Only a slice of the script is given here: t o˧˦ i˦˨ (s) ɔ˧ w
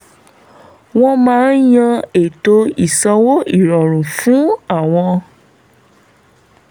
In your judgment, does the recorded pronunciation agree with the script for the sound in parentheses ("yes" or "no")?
yes